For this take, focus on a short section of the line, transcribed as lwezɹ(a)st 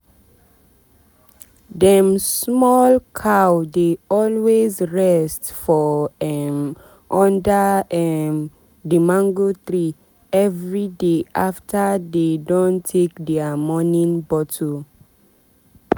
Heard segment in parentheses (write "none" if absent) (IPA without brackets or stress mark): ɛ